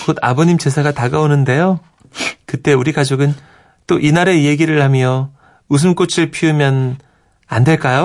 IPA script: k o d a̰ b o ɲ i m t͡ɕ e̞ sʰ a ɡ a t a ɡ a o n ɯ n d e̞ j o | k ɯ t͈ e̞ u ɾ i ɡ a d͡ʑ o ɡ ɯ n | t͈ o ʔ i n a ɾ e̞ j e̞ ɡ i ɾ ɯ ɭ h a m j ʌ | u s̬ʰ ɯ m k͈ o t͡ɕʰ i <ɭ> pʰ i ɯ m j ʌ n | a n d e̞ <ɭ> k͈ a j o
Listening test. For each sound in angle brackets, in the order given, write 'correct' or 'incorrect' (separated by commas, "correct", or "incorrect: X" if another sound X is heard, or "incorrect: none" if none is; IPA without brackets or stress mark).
correct, correct